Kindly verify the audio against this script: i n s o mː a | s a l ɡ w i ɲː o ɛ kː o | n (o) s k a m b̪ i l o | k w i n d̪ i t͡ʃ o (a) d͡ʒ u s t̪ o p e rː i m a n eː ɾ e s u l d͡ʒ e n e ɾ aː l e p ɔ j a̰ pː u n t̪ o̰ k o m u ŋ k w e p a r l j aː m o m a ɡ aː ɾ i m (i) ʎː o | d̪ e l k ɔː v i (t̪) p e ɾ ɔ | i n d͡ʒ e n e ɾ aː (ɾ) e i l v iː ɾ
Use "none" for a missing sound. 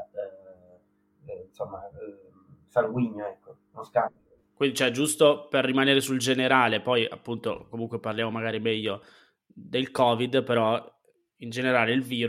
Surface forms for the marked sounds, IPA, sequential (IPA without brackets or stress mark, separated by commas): o, ɛ, ɛ, d̪, l